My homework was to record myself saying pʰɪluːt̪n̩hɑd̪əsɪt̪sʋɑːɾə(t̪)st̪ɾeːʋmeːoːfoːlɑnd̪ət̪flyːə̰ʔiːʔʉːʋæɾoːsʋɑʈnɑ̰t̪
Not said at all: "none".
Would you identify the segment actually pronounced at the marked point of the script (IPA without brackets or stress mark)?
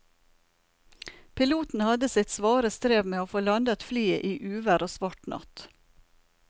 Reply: none